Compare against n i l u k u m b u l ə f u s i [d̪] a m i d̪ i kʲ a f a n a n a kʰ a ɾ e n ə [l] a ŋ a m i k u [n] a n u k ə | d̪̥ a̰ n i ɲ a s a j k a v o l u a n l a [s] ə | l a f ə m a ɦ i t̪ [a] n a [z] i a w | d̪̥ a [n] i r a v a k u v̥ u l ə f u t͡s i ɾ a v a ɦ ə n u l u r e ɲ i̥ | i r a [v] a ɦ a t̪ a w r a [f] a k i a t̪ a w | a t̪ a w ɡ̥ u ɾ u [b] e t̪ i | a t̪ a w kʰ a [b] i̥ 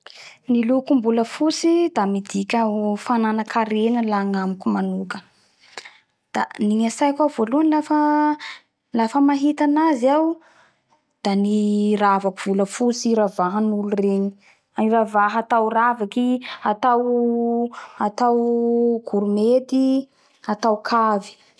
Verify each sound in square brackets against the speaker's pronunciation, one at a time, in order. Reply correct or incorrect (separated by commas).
correct, correct, incorrect, incorrect, correct, correct, correct, correct, incorrect, incorrect, incorrect